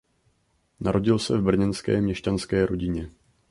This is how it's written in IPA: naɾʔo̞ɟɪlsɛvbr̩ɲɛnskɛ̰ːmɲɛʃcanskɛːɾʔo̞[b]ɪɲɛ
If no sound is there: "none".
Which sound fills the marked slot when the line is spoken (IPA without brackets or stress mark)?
ɟ